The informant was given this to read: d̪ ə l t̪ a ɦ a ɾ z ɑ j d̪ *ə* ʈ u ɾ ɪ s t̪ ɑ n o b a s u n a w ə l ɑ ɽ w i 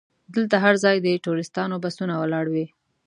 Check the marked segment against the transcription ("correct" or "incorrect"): correct